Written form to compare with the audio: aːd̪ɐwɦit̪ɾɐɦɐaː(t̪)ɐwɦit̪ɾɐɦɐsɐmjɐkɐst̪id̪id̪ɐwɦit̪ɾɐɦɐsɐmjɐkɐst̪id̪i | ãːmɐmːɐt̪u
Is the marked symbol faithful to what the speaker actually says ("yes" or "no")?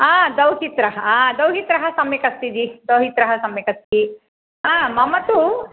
no